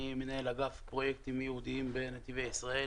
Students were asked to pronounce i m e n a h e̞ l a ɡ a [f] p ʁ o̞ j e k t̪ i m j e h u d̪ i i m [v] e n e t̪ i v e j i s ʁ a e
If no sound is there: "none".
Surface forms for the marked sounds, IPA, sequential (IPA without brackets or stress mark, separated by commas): f, b